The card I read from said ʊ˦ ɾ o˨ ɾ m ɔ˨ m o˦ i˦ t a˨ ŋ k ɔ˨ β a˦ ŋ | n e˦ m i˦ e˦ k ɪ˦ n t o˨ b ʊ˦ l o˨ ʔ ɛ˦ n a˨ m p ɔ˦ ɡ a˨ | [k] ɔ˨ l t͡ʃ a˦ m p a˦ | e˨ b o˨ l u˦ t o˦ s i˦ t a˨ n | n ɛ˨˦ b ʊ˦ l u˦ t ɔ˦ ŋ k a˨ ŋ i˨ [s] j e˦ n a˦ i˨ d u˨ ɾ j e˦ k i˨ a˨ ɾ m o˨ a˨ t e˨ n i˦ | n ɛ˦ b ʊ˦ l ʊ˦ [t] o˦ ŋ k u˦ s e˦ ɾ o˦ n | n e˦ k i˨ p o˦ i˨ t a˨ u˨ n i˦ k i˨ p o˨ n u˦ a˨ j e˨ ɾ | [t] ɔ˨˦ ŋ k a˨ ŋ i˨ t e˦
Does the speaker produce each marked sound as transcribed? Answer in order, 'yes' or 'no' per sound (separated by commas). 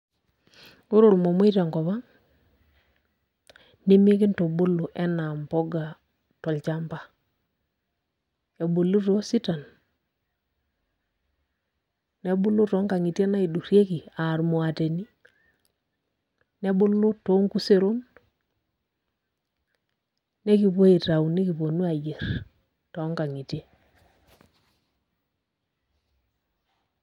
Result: no, no, yes, yes